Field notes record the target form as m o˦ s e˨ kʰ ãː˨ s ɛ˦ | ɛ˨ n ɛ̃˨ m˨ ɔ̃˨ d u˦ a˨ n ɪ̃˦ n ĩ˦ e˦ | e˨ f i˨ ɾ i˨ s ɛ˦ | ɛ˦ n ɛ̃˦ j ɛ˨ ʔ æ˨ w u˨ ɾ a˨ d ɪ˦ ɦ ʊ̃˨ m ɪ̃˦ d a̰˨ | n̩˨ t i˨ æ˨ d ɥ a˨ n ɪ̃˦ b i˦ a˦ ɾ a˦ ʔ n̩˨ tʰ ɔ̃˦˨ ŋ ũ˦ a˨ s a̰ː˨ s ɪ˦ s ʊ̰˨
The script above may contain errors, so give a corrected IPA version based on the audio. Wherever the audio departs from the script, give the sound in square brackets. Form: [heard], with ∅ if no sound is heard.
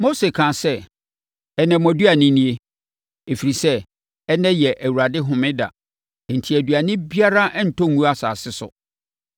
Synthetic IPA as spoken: m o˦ s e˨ kʰ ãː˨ s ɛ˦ | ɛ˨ n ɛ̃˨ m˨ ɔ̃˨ d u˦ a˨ n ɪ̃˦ n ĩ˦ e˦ | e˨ f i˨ ɾ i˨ s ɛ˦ | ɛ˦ n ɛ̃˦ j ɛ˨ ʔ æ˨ w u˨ ɾ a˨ d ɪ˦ ɦ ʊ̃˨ m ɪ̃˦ d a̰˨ | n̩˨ [tʰ] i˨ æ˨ d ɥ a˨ n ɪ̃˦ b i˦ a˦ ɾ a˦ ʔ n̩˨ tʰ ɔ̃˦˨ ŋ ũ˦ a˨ s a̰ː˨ s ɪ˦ s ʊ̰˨